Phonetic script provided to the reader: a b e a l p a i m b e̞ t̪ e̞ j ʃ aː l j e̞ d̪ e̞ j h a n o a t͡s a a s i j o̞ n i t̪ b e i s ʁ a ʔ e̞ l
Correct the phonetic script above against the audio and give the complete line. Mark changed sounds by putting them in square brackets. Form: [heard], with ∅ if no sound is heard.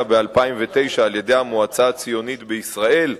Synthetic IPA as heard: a b e a l p a i m [v] e̞ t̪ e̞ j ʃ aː l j e̞ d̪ e̞ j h a [m] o a t͡s a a [t͡s] i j o̞ n i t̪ b e i s ʁ a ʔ e̞ l